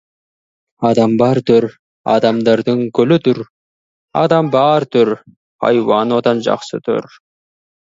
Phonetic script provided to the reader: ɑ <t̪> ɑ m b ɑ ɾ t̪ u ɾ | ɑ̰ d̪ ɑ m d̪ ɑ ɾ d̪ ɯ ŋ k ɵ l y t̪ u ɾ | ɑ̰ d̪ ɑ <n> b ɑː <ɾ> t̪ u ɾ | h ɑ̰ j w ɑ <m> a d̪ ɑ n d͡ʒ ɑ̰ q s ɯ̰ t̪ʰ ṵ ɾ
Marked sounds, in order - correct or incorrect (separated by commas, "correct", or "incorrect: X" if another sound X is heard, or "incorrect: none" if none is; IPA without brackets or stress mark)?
incorrect: d̪, incorrect: m, correct, incorrect: n